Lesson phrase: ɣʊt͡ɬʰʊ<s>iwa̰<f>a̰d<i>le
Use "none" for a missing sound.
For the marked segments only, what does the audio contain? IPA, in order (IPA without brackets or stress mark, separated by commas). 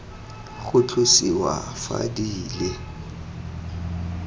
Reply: s, f, iː